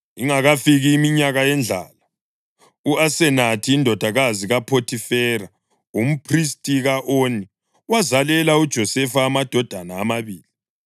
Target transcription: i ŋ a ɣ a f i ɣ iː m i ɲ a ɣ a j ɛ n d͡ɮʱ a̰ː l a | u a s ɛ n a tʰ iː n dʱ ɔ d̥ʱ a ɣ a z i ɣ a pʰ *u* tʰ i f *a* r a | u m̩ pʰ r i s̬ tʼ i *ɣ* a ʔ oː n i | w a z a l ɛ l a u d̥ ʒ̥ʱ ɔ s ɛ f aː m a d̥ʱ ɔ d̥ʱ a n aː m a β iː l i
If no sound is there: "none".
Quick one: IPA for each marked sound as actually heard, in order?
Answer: o, ɛ, ɣ

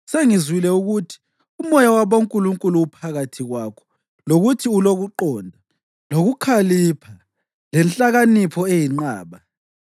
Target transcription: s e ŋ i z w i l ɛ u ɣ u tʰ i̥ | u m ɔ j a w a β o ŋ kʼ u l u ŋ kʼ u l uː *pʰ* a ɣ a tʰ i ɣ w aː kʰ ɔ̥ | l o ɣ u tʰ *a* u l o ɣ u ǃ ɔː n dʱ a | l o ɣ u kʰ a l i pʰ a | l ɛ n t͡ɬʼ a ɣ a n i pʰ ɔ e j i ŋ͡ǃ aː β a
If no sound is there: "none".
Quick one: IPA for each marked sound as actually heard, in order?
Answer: pʰ, i

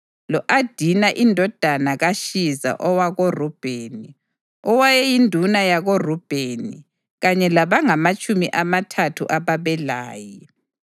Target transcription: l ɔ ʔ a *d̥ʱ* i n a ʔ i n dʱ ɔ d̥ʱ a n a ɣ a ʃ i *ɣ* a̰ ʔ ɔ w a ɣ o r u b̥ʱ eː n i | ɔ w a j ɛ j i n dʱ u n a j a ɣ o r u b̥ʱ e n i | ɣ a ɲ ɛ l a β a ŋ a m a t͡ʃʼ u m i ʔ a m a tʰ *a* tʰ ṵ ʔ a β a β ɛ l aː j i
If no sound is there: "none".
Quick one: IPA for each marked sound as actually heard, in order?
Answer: d̥ʱ, z, a

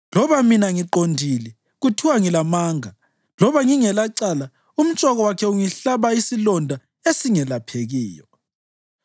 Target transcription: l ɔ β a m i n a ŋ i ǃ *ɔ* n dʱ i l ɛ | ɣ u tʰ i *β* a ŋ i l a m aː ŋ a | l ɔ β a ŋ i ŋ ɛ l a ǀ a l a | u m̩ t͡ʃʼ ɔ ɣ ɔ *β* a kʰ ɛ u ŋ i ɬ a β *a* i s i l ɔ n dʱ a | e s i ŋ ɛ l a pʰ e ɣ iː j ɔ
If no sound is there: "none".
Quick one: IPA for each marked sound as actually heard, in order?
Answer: o, w, w, a

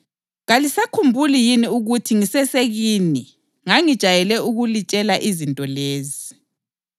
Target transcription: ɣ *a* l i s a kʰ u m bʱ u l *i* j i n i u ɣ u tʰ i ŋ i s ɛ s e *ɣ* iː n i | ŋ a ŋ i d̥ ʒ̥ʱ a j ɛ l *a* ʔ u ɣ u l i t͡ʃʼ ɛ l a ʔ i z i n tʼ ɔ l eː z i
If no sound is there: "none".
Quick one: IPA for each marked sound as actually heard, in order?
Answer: a, i, ɣ, ɛ

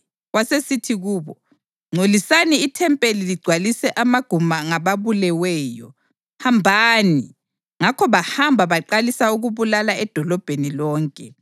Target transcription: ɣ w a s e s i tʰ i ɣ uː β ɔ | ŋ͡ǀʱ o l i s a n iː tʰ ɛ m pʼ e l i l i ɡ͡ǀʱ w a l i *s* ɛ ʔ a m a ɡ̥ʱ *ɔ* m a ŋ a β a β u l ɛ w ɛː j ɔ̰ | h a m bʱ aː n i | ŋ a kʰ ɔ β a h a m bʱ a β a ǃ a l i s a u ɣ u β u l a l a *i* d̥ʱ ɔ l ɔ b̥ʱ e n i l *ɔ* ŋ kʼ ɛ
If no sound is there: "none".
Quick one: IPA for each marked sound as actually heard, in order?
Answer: s, u, ɛ, ɔː

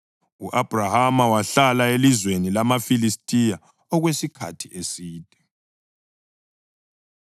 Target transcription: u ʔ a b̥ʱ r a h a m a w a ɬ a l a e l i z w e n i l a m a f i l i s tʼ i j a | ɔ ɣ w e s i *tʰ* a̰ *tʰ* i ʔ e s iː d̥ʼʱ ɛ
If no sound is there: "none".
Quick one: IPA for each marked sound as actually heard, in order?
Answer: kʰ, tʰ

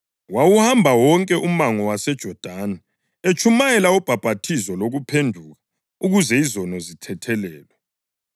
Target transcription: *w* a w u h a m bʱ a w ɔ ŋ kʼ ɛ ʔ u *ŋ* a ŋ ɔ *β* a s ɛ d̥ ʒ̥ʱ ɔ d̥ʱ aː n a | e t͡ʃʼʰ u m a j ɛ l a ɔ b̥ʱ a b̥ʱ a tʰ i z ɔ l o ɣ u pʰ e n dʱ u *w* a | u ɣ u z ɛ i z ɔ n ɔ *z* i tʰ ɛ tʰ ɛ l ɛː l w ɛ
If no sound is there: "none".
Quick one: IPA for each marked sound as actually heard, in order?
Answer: w, m, w, ɣ, z

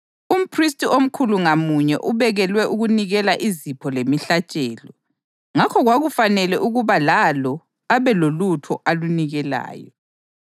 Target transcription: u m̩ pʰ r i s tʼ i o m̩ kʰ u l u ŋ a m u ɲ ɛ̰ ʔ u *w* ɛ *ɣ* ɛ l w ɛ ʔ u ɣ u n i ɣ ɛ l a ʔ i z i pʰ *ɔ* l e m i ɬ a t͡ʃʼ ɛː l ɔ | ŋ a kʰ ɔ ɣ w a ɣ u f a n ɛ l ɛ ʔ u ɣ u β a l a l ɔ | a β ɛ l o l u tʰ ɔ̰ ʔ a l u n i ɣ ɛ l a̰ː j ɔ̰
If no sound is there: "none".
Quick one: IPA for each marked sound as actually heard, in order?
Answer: β, ɣ, ɔ

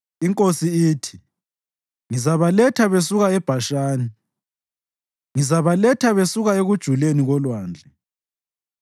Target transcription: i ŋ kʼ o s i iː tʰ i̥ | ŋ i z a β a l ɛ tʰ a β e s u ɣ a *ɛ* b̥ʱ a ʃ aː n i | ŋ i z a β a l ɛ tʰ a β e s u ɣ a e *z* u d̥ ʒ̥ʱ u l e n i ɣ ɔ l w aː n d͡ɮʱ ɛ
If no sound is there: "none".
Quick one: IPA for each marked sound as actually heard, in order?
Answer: ɛ, ɣ

